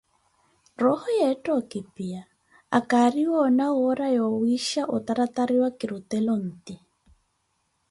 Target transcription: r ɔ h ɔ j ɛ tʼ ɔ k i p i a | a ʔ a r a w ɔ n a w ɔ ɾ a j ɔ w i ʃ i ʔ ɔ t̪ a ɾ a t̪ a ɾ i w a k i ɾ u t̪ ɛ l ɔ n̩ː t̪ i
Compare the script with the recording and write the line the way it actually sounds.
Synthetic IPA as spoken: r ɔ h ɔ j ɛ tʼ ɔ k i p i a | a k a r i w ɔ n a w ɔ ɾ a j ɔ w i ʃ a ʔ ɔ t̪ a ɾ a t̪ a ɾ i w a k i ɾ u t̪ ɛ l ɔ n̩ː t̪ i